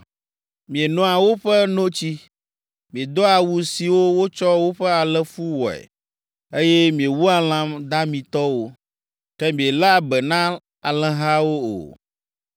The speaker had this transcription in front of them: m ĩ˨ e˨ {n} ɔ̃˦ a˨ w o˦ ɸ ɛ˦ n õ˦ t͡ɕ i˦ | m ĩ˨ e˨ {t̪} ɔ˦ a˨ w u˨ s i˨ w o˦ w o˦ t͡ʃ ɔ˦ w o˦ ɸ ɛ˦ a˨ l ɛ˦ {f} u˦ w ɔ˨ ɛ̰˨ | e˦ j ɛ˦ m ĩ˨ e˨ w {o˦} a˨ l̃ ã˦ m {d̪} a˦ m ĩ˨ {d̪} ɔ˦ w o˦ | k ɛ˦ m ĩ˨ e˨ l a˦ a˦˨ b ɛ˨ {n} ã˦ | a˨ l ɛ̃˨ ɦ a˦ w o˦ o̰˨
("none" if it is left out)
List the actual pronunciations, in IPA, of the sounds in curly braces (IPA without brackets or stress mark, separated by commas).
n, d̪, f, u˦, d̪, t̪, n